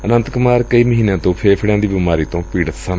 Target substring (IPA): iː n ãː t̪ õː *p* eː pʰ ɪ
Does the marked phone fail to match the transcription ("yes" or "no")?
yes